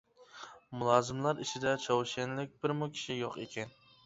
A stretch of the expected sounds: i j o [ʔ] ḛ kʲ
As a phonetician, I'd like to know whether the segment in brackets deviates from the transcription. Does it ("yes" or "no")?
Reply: yes